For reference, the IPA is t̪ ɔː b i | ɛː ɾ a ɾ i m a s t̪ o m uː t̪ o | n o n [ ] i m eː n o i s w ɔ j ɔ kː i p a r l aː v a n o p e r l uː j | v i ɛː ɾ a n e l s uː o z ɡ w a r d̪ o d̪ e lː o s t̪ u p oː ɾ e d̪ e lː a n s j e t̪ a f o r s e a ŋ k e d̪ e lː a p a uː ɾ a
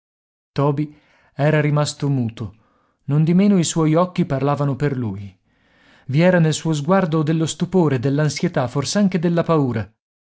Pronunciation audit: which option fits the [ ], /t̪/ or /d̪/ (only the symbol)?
d̪